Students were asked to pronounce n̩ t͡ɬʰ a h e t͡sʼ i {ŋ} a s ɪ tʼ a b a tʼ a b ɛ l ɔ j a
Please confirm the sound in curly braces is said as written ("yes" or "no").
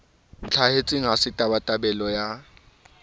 yes